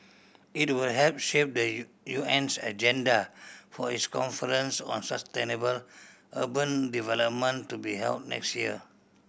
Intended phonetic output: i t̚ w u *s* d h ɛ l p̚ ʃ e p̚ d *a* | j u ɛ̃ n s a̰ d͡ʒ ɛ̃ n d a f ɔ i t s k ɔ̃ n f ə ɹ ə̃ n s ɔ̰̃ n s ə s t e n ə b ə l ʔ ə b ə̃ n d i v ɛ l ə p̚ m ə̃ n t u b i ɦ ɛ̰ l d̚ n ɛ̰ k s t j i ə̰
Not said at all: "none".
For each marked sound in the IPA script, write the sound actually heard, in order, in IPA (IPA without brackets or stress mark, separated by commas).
none, ə